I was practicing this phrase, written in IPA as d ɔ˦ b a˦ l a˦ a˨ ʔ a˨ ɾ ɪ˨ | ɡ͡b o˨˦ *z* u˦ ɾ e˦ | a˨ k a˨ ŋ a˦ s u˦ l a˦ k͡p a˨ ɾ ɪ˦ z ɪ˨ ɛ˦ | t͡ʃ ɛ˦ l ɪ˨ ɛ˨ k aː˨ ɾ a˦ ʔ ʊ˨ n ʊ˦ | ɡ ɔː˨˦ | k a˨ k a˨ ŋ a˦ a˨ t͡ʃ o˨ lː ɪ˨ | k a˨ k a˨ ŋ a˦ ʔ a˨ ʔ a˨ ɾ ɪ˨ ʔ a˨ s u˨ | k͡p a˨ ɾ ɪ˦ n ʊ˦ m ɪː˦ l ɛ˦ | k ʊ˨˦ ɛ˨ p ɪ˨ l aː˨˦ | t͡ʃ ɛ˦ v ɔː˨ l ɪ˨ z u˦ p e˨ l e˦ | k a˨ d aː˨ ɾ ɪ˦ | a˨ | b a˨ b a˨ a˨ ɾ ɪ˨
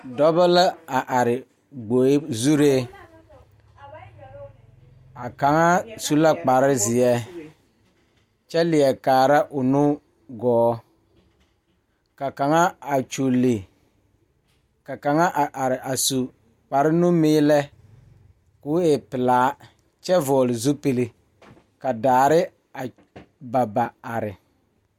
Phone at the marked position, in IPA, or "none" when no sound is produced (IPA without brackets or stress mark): z